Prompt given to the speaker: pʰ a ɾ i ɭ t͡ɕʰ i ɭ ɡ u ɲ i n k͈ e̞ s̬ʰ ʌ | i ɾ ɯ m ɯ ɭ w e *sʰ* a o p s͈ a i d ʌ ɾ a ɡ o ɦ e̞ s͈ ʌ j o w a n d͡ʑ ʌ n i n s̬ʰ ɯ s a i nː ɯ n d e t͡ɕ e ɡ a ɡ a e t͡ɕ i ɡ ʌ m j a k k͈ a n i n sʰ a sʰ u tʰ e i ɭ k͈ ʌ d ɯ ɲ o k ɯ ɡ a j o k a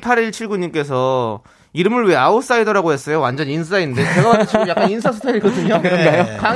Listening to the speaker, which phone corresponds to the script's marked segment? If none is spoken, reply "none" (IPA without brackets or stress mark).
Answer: none